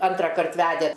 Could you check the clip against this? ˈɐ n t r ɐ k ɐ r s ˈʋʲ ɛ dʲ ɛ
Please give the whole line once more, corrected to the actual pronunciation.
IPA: ˈɐ n t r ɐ k ɐ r t ˈʋʲ æ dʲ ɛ